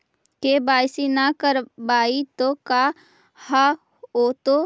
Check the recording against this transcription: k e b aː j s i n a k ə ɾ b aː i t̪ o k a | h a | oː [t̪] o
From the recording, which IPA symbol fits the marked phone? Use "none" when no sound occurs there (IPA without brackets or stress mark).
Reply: t̪